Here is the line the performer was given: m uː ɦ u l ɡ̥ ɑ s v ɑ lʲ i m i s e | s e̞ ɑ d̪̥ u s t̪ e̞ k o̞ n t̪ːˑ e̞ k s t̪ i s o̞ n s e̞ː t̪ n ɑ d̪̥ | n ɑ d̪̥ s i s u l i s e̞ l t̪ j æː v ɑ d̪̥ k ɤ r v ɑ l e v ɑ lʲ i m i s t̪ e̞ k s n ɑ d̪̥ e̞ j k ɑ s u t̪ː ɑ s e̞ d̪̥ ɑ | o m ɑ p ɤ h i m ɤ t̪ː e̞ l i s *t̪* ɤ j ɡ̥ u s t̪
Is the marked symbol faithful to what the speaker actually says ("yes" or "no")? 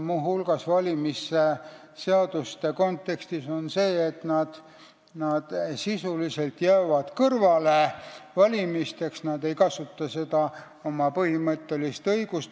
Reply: yes